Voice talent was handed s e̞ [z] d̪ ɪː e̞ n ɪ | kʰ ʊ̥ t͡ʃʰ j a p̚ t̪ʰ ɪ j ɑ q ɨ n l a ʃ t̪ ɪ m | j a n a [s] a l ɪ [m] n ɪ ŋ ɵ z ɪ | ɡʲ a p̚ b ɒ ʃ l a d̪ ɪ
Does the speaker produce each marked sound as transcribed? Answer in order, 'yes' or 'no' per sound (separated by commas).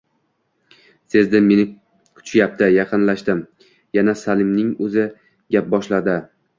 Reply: yes, yes, yes